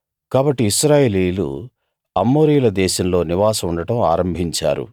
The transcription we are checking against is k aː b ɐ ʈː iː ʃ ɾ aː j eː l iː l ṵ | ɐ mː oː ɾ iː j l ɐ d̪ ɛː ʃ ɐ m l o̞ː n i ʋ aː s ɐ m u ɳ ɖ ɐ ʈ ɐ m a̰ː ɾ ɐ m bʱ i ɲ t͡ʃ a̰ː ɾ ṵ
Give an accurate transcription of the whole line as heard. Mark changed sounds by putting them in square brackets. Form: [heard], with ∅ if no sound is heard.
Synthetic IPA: k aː b ɐ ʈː iː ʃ ɾ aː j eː l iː l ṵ | ɐ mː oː ɾ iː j l ɐ d̪ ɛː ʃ ɐ m l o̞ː n i ʋ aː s ɐ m u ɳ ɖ ɐ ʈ ɐ m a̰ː ɾ ɐ m bʱ i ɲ t͡ʃ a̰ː ɾ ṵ